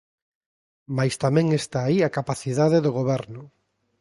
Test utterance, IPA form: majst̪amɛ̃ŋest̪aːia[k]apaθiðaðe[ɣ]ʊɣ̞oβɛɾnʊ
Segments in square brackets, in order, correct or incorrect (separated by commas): correct, incorrect